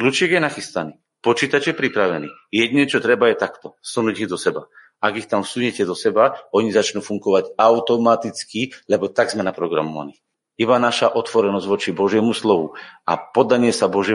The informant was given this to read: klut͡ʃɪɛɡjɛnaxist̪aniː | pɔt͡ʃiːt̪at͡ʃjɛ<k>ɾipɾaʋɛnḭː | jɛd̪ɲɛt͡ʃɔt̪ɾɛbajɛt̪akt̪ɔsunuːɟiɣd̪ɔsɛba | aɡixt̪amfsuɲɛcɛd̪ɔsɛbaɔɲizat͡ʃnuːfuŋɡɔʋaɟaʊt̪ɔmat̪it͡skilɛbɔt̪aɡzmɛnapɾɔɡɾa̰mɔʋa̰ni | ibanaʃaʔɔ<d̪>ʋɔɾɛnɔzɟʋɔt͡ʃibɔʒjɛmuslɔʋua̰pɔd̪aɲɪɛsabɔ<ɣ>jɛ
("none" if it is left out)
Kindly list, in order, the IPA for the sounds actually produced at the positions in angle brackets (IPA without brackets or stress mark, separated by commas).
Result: p, t̪, ʒ